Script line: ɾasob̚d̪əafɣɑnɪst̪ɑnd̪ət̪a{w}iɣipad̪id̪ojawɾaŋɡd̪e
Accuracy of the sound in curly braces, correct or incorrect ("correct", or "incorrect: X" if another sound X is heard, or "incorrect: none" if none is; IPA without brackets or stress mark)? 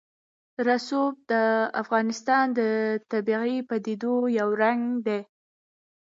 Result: incorrect: b